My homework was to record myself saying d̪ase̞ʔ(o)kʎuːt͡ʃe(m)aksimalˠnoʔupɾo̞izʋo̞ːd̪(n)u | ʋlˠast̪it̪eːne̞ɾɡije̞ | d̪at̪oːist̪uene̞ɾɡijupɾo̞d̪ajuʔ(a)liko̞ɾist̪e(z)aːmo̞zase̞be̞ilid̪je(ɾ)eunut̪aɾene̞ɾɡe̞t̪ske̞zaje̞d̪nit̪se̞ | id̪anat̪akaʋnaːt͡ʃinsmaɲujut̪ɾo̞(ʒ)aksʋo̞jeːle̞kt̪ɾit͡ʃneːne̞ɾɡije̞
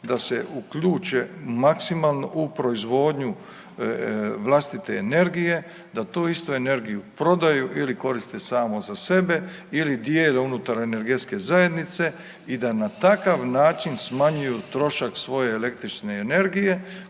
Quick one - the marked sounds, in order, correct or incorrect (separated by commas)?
incorrect, correct, incorrect, incorrect, incorrect, incorrect, incorrect